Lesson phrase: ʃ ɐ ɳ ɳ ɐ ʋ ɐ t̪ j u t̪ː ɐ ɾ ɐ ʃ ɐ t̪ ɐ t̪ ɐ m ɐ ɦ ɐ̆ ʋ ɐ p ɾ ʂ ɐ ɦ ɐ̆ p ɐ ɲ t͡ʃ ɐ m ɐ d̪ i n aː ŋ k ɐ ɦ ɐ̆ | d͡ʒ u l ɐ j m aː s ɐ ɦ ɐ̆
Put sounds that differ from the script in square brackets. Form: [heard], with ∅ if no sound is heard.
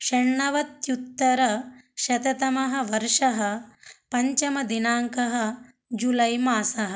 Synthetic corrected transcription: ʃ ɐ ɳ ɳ ɐ ʋ ɐ t̪ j u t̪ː ɐ ɾ ɐ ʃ ɐ t̪ ɐ t̪ ɐ m ɐ ɦ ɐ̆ ʋ ɐ [∅] ɾ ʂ ɐ ɦ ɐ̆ p ɐ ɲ t͡ʃ ɐ m ɐ d̪ i n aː ŋ k ɐ ɦ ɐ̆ | d͡ʒ u l ɐ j m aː s ɐ ɦ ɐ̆